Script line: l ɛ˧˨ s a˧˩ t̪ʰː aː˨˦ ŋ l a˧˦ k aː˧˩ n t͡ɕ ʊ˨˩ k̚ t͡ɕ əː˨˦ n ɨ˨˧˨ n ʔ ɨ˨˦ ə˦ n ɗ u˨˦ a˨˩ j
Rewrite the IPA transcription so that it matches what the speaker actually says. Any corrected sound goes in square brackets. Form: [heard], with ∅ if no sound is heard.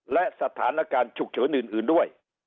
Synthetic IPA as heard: l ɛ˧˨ s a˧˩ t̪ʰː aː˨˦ [n] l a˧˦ k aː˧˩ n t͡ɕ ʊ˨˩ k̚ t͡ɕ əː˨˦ n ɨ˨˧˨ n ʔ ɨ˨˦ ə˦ n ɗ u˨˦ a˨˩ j